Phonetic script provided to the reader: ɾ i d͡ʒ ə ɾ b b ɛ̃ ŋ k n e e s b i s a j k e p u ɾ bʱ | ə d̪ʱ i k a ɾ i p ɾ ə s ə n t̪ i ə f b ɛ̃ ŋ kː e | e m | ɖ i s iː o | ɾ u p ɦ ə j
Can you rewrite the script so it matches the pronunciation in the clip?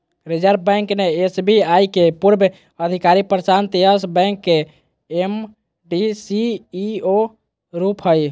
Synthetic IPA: ɾ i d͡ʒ ə ɾ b b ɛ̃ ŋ k n e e s b i a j k e p u ɾ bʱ | ə d̪ʱ i k a ɾ i p ɾ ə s a n t̪ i ə s b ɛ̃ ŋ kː e | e m | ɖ i s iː o | ɾ u p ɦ ə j

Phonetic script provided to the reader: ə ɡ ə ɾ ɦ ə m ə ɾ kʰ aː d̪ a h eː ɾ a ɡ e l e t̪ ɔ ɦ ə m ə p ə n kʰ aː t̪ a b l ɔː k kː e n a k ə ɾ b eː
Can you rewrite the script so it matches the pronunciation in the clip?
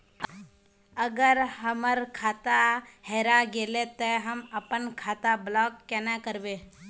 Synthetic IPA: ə ɡ ə ɾ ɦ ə m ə ɾ kʰ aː t̪ a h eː ɾ a ɡ e l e t̪ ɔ ɦ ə m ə p ə n kʰ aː t̪ a b l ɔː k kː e n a k ə ɾ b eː

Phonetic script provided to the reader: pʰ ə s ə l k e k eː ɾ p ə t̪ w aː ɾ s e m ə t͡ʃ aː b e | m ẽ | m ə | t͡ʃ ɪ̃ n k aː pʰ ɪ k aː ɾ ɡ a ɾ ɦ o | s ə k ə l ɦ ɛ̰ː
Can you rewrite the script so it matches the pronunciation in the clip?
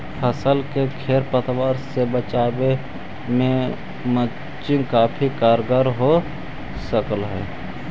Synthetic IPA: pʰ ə s ə l k e kʰ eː ɾ p ə t̪ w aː ɾ s e b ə t͡ʃ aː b e | m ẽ | m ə | t͡ʃ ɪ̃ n k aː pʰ i k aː ɾ ɡ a ɾ ɦ o | s ə k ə l ɦ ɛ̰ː

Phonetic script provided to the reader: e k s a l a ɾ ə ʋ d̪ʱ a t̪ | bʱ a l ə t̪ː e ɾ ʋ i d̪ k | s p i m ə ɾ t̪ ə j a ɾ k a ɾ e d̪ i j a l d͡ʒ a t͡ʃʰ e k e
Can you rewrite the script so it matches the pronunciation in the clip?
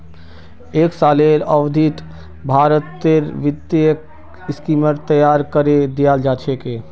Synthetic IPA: e k s a l e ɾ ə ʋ d̪ʱ i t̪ | bʱ a ɾ ə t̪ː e ɾ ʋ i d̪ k | s k i m ə ɾ t̪ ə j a ɾ k ə ɾ e d̪ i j a l d͡ʒ a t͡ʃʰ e k e

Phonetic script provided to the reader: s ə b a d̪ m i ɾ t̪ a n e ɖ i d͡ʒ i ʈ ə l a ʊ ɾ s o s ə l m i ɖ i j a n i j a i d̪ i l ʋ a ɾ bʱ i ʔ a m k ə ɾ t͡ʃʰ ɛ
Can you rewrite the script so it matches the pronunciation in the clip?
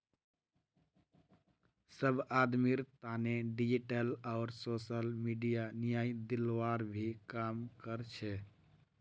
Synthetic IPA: s ə b a d̪ m i ɾ t̪ a n e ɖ i d͡ʒ i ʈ ə l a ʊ ɾ s o s ə l m i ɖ i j a n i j a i d̪ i l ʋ a ɾ bʱ i k a m k ə ɾ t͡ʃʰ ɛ

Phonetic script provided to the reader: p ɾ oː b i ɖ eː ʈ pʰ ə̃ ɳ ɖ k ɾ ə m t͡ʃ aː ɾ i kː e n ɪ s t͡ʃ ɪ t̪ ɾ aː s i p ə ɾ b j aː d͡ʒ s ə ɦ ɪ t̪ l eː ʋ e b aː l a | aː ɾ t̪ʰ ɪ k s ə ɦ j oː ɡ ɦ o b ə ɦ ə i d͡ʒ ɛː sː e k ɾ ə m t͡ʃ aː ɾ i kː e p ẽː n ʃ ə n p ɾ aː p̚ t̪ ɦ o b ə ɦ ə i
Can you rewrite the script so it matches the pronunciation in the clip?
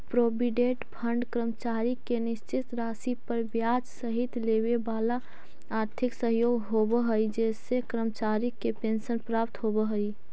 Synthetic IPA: p ɾ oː b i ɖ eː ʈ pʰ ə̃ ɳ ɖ k ɾ ə m t͡ʃ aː ɾ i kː e n ɪ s t͡ʃ ɪ t̪ ɾ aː s i p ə ɾ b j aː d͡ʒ s ə ɦ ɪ t̪ l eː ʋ e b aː l a | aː ɾ t̪ʰ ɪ k s ə ɦ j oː ɡ ɦ o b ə ɦ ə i d͡ʒ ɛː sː e k ɾ ə m t͡ʃ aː ɾ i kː e p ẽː n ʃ ə n p ɾ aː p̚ t̪ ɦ o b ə ɦ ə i

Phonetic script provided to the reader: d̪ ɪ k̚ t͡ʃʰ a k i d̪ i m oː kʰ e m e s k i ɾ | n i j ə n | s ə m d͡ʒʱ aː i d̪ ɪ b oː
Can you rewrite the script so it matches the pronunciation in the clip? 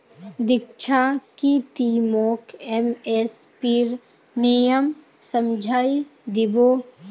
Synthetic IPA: d̪ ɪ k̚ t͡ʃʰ a k i t̪ i m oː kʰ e m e s p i ɾ | n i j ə m | s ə m d͡ʒʱ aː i d̪ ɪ b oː

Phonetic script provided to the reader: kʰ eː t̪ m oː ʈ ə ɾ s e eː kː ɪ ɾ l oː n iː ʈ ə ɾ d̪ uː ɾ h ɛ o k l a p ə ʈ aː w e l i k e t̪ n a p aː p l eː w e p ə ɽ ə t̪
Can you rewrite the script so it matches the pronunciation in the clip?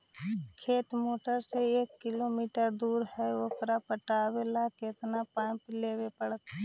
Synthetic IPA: kʰ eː t̪ m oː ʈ ə ɾ s e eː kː ɪ l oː m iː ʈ ə ɾ d̪ uː ɾ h ɛ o k ɾ a p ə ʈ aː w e l a k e t̪ n a p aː p l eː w e p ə ɽ ə t̪

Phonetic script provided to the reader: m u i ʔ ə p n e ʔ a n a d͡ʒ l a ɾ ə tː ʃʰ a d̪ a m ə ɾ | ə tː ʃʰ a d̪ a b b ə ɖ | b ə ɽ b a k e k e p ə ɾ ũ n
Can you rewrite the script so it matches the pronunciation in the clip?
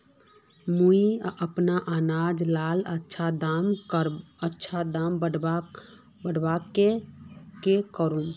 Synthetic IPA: m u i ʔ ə p n a ʔ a n a d͡ʒ l a l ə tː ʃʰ a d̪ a m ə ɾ | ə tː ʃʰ a d̪ a m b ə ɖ | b ə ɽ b a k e k e k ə ɾ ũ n

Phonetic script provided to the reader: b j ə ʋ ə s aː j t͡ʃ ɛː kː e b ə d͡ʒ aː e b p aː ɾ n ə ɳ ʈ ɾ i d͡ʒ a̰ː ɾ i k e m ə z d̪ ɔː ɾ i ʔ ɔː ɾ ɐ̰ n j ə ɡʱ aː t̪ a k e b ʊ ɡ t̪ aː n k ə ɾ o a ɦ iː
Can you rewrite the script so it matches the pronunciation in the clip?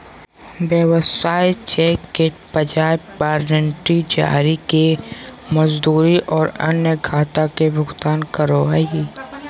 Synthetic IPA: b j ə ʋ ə s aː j t͡ʃ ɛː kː e p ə d͡ʒ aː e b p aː ɾ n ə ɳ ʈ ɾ i d͡ʒ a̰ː ɾ i k e m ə z d̪ uː ɾ i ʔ ɔː ɾ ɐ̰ n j ə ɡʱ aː t̪ a k e b ʊ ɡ t̪ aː n k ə ɾ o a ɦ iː

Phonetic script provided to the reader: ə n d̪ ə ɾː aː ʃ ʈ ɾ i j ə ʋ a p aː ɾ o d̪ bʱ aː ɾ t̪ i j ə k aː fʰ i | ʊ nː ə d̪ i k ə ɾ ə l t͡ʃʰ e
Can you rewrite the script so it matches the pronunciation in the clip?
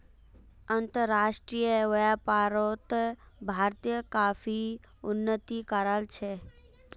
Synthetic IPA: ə n t̪ ə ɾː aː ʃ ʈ ɾ i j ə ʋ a p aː ɾ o t̪ bʱ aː ɾ t̪ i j ə k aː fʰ i | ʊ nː ə t̪ i k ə ɾ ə l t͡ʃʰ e

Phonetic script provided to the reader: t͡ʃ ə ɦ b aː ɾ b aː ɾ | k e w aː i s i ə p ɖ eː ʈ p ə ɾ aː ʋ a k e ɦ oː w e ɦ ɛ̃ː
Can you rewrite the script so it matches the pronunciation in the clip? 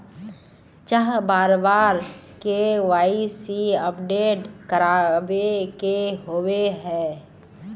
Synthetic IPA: t͡ʃ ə ɦ b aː ɾ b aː ɾ | k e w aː i s i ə p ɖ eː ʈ k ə ɾ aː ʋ e k e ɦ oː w e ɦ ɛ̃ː

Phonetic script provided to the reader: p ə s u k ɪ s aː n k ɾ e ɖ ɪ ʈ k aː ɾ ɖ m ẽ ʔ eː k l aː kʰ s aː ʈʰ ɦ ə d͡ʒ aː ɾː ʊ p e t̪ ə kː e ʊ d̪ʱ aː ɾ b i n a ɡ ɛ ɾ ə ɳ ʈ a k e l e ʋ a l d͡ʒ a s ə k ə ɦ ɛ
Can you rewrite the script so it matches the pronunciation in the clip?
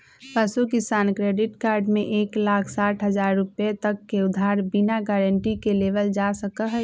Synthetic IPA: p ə s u k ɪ s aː n k ɾ e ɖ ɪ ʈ k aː ɾ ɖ m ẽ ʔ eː k l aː kʰ s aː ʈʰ ɦ ə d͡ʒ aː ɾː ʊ p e t̪ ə kː e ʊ d̪ʱ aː ɾ b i n a ɡ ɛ ɾ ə ɳ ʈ i k e l e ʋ ə l d͡ʒ a s ə k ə ɦ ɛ

